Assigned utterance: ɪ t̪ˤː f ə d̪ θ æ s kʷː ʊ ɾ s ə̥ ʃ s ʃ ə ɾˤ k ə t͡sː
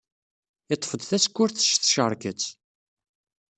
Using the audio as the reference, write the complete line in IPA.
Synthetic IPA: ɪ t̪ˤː f ə d̪ θ æ s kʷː ʊ ɾ θ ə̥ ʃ θ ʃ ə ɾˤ k ə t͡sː